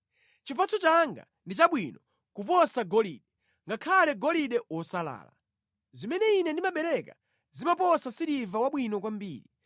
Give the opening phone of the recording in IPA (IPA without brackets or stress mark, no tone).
t͡ʃ